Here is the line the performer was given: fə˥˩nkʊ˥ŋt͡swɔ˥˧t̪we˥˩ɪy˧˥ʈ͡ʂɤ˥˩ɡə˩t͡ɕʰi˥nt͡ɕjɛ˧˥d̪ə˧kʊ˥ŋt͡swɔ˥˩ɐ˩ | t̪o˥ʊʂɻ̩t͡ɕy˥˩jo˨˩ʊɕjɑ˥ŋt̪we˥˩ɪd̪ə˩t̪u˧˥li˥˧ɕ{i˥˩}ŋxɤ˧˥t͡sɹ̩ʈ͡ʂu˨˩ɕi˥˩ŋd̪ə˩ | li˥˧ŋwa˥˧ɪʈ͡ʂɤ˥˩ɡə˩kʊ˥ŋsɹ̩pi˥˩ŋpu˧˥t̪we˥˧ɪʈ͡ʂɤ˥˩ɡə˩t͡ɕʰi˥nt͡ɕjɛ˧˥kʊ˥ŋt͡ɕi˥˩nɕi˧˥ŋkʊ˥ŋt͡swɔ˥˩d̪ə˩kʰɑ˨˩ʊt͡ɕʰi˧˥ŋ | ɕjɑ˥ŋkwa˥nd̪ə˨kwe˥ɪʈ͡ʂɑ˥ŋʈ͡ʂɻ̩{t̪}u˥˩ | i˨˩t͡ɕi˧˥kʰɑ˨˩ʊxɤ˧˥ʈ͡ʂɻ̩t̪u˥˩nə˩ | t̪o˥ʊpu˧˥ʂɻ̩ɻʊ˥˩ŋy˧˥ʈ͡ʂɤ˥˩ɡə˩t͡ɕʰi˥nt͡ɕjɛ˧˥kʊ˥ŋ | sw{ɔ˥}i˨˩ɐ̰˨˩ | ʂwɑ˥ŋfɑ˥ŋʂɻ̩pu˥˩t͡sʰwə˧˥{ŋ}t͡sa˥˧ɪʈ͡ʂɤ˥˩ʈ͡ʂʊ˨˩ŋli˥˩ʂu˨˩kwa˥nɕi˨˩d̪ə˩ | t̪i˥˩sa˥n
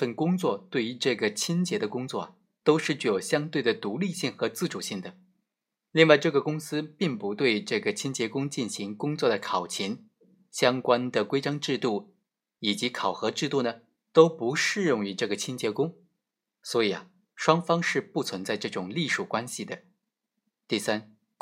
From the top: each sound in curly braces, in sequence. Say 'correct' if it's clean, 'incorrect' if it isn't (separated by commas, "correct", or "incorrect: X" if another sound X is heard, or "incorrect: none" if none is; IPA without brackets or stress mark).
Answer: correct, correct, incorrect: ɔ˧˥, incorrect: n